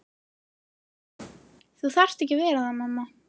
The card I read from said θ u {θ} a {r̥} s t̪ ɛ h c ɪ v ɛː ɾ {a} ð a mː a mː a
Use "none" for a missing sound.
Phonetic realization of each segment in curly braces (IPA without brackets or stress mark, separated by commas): θ, r̥, a